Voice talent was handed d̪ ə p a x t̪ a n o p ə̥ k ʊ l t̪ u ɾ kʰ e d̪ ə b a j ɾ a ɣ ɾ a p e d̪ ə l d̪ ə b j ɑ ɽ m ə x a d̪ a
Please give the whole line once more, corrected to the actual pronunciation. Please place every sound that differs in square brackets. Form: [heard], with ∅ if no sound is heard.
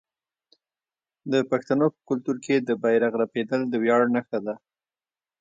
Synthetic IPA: d̪ ə p a x t̪ a n o p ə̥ k ʊ l t̪ u ɾ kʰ e d̪ ə b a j ɾ a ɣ ɾ a p e d̪ ə l d̪ ə [w] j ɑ ɽ [n] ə x a d̪ a